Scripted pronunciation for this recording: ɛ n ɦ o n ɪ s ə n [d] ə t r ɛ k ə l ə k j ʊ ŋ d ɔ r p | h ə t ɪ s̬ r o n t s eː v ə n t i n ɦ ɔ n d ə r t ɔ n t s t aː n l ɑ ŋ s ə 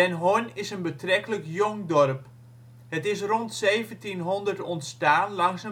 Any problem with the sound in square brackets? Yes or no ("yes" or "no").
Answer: yes